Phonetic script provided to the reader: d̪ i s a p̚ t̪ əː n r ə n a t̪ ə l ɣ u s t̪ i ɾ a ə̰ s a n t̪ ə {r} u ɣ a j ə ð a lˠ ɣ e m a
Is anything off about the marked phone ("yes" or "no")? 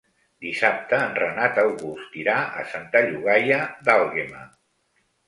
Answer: yes